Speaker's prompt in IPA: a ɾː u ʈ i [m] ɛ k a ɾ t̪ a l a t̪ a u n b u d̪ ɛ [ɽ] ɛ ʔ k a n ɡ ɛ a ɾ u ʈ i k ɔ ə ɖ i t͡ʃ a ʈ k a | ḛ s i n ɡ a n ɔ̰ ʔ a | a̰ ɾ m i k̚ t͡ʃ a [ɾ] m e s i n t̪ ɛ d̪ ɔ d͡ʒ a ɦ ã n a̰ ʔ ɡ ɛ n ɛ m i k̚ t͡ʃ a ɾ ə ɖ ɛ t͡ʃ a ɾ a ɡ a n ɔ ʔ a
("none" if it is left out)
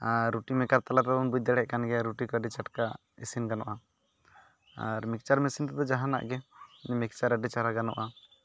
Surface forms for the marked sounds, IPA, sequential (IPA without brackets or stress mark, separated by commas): m, ɽ, ɾ